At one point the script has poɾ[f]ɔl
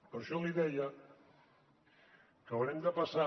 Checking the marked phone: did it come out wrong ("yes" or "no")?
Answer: yes